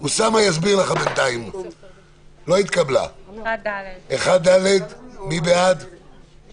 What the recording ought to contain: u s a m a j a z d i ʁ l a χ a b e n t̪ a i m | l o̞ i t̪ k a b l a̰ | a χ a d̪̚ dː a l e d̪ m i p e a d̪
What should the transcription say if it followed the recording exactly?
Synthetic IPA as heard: u s a m a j a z b i ʁ l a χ a b e n t̪ a i m | l o̞ i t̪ k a b l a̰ | e χ a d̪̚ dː a l e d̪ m i b e a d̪